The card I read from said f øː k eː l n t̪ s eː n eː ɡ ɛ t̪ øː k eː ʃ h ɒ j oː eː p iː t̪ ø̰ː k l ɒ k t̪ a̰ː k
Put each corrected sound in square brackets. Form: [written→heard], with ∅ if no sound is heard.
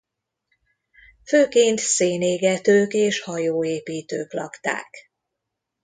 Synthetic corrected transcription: f øː k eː [l→∅] n t̪ s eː n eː ɡ ɛ t̪ øː k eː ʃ h ɒ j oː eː p iː t̪ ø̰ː k l ɒ k t̪ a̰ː k